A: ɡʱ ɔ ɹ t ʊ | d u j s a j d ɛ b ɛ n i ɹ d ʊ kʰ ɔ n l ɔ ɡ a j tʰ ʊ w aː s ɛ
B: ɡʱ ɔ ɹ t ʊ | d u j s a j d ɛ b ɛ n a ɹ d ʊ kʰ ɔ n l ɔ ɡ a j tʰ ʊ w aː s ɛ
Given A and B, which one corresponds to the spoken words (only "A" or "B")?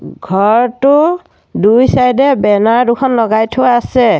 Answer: B